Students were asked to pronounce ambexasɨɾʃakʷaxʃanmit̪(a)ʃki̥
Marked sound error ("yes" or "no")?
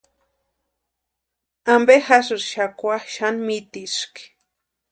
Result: yes